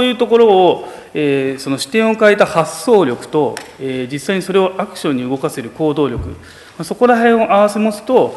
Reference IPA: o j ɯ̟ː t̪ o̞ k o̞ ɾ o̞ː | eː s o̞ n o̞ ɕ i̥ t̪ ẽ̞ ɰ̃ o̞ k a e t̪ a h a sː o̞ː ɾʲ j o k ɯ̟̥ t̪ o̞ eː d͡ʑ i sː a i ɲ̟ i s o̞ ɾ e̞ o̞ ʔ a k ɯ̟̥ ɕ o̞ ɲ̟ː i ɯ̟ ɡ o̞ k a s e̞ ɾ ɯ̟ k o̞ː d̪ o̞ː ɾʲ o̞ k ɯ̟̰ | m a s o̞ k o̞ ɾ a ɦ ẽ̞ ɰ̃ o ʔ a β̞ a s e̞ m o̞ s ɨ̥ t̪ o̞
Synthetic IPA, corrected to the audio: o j ɯ̟ː t̪ o̞ k o̞ ɾ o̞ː | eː s o̞ n o̞ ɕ i̥ t̪ ẽ̞ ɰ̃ o̞ k a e t̪ a h a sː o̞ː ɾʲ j o k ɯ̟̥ t̪ o̞ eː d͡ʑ i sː a i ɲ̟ i s o̞ ɾ e̞ o̞ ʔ a k ɯ̟̥ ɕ õ̞ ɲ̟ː i ɯ̟ ɡ o̞ k a s e̞ ɾ ɯ̟ k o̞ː d̪ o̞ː ɾʲ o̞ k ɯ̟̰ | m a s o̞ k o̞ ɾ a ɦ ẽ̞ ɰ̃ o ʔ a β̞ a s e̞ m o̞ s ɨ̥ t̪ o̞